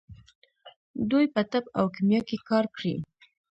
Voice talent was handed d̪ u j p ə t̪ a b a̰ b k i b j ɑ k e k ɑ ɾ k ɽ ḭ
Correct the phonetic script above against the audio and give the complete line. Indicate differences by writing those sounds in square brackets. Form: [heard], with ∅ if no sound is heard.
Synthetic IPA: d̪ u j p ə t̪ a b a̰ [w] k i [m] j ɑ k e k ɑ ɾ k ɽ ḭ